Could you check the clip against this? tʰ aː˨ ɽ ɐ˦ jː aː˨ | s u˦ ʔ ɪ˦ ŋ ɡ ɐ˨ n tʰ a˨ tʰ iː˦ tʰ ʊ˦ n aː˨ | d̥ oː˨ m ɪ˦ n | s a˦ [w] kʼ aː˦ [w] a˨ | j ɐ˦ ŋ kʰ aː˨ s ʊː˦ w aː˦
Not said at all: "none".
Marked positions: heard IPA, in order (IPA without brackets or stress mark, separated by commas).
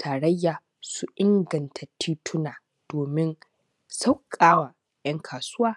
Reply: w, w